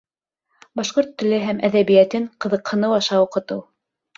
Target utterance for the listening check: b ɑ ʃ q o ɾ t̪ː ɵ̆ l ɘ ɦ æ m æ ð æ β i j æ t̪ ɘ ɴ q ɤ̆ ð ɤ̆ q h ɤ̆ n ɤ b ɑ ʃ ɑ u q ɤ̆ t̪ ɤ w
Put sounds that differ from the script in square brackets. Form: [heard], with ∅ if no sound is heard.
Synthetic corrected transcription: b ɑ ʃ q o ɾ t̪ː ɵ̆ l ɘ ɦ æ m æ ð æ β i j æ t̪ ɘ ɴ q ɤ̆ ð ɤ̆ q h ɤ̆ n ɤ [w] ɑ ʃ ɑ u q ɤ̆ t̪ ɤ w

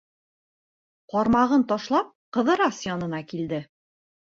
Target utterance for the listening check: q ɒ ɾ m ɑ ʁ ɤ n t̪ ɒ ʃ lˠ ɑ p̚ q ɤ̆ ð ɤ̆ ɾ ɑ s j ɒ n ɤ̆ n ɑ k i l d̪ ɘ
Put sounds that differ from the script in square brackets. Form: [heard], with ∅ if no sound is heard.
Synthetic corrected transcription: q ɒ ɾ m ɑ ʁ ɤ n t̪ ɒ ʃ lˠ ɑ p̚ q ɤ̆ ð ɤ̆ ɾ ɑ s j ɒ n ɤ̆ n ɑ k i l d̪ ɘ

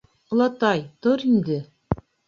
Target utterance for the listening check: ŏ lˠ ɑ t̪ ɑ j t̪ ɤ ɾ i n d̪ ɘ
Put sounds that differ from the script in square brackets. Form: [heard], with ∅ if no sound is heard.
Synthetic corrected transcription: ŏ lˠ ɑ t̪ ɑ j t̪ [o] ɾ i n d̪ ɘ

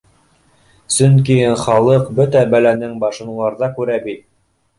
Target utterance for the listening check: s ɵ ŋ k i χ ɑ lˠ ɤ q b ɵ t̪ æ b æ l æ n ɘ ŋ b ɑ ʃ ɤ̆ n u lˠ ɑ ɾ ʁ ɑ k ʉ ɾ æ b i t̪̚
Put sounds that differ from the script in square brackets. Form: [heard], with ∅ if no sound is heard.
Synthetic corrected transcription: s ɵ ŋ k i χ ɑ lˠ ɤ q b ɵ t̪ æ b æ l æ n ɘ ŋ b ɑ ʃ ɤ̆ n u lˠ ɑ ɾ [ð] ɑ k ʉ ɾ æ b i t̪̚

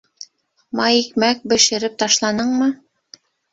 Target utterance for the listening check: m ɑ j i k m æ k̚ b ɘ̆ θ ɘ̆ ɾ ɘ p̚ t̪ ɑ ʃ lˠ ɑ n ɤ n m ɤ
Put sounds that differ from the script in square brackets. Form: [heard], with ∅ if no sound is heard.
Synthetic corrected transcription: m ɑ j i k m æ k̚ b ɘ̆ [ʃ] ɘ̆ ɾ ɘ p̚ t̪ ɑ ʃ lˠ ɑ n ɤ [ɴ] m ɤ

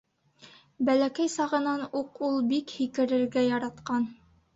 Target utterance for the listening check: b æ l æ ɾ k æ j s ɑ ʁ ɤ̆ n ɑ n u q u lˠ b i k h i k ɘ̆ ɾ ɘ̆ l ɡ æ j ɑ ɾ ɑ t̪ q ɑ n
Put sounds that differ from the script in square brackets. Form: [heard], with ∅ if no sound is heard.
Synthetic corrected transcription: b æ l æ [∅] k æ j s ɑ ʁ ɤ̆ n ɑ n u q u lˠ b i k h i k ɘ̆ ɾ ɘ̆ [ɾ] ɡ æ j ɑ ɾ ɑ t̪ q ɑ n

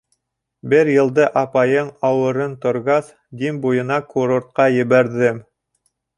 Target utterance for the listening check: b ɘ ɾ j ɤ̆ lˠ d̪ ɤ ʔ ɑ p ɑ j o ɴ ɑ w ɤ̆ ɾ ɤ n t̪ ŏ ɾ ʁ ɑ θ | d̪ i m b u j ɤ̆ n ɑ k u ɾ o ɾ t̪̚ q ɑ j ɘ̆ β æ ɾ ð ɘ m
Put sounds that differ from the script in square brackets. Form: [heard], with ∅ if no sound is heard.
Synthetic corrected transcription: b ɘ ɾ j ɤ̆ lˠ d̪ ɤ ʔ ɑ p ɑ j [ɤ] ɴ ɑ w ɤ̆ ɾ ɤ n t̪ ŏ ɾ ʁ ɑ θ | d̪ i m b u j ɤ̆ n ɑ k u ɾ o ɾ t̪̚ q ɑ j ɘ̆ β æ ɾ ð ɘ m

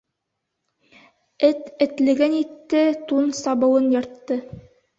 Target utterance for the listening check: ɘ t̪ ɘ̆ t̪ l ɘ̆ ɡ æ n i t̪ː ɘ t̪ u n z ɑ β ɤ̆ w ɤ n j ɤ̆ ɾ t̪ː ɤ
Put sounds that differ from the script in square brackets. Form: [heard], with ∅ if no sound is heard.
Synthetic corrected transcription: ɘ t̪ ɘ̆ t̪ l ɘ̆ ɡ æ n i t̪ː ɘ t̪ u n [s] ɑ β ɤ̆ w ɤ n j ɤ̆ ɾ t̪ː ɤ

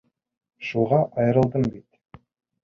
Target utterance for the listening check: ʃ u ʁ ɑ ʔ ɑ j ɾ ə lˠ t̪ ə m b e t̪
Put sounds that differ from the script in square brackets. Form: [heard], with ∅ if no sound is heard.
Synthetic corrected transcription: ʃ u ʁ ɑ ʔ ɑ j ɾ ə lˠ [d̪] ə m b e t̪

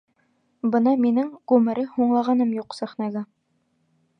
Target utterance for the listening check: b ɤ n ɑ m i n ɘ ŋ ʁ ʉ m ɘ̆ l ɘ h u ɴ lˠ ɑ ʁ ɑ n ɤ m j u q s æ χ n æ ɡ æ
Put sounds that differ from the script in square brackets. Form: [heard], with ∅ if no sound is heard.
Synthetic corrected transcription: b ɤ n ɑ m i n ɘ ŋ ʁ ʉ m ɘ̆ [ɾ] ɘ h u ɴ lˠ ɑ ʁ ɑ n ɤ m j u q s æ χ n æ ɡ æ

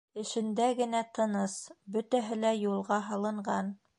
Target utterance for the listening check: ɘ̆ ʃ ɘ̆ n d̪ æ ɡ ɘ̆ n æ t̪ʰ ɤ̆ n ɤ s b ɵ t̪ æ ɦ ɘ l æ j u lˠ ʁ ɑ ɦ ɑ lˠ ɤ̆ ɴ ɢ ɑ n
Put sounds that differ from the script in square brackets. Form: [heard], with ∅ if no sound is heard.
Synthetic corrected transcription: ɘ̆ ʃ ɘ̆ n d̪ æ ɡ ɘ̆ n æ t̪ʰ ɤ̆ n ɤ s b ɵ t̪ æ ɦ ɘ l æ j u lˠ ʁ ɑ ɦ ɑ lˠ ɤ̆ ɴ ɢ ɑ n

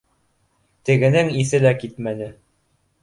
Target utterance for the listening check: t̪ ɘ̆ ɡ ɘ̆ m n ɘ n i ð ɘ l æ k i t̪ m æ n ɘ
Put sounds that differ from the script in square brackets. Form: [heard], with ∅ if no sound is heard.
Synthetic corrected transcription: t̪ ɘ̆ ɡ ɘ̆ [∅] n ɘ [ŋ] i [θ] ɘ l æ k i t̪ m æ n ɘ

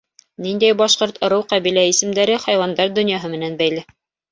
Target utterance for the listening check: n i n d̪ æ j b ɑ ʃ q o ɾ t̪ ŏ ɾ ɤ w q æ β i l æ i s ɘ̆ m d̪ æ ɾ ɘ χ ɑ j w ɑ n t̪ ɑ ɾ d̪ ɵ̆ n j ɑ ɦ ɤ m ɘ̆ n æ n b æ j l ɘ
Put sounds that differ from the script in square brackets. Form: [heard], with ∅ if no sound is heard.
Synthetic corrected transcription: n i n d̪ æ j b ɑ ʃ q o ɾ t̪ ŏ ɾ ɤ w q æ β i l æ i s ɘ̆ m d̪ æ ɾ ɘ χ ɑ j w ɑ n [d̪] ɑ ɾ d̪ ɵ̆ n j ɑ ɦ ɤ m ɘ̆ n æ n b æ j l ɘ

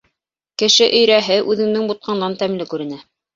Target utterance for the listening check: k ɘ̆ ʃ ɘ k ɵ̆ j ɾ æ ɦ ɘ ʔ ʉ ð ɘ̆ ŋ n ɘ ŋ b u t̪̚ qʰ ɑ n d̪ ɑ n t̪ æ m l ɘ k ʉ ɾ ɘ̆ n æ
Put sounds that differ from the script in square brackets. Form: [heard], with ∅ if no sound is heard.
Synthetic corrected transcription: k ɘ̆ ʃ ɘ [ʔ] ɵ̆ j ɾ æ ɦ ɘ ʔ ʉ ð ɘ̆ ŋ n ɘ ŋ b u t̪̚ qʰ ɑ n d̪ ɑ n t̪ æ m l ɘ k ʉ ɾ ɘ̆ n æ

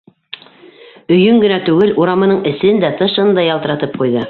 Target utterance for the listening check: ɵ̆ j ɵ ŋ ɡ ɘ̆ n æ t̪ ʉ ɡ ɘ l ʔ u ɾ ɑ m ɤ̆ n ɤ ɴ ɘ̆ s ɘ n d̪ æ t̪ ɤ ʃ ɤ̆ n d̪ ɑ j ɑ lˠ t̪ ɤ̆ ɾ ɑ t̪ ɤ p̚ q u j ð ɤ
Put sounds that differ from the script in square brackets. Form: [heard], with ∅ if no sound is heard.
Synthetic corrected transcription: ɵ̆ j ɵ ŋ ɡ ɘ̆ n æ t̪ ʉ ɡ ɘ l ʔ u ɾ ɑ m ɤ̆ n ɤ ɴ ɘ̆ s ɘ n d̪ æ t̪ ɤ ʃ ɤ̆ n d̪ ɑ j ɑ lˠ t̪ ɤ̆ ɾ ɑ t̪ ɤ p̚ q u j ð ɤ

